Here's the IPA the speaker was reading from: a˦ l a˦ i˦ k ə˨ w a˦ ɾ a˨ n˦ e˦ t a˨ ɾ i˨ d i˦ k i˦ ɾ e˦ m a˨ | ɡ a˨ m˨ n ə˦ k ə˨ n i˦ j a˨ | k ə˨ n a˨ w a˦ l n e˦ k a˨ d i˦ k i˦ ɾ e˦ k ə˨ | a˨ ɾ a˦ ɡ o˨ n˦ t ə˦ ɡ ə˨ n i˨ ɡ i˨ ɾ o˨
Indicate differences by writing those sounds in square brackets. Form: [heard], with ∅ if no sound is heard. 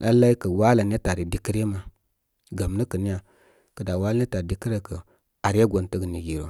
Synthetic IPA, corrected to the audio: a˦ l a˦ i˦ k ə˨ w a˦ [l] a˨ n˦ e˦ t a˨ ɾ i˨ d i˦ k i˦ ɾ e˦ m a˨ | ɡ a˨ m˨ n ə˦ k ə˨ n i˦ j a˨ | k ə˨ [d] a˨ w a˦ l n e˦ [t] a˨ d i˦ k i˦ ɾ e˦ k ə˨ | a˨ ɾ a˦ ɡ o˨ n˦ t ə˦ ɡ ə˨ n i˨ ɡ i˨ ɾ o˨